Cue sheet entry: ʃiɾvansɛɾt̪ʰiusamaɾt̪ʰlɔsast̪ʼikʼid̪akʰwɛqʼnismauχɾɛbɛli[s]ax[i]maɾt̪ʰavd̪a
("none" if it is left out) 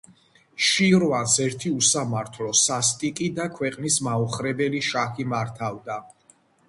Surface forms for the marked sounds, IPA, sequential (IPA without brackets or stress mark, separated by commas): ʃ, i